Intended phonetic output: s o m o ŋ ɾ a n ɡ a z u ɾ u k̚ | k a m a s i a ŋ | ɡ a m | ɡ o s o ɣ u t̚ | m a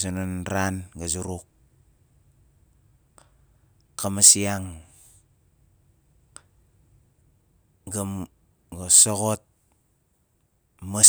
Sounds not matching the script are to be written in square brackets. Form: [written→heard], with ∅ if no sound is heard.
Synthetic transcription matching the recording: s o [m→n] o [ŋ→n] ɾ a n ɡ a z u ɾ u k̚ | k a m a s i a ŋ | ɡ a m | ɡ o s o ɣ [u→o] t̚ | m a